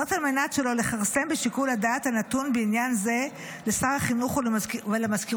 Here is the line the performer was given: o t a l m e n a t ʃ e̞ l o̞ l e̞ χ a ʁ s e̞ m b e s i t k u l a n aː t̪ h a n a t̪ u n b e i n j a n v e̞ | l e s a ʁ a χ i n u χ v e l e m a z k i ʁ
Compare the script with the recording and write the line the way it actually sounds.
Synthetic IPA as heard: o t a l m e n a t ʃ e̞ l o̞ l e̞ χ a ʁ s e̞ m b e ʃ i k u l a d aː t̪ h a n a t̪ u n b e i n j a n z e̞ | l e s a ʁ a χ i n u χ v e l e m a z k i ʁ